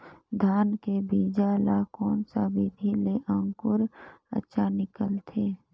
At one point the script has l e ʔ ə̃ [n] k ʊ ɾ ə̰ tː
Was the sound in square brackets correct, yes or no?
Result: no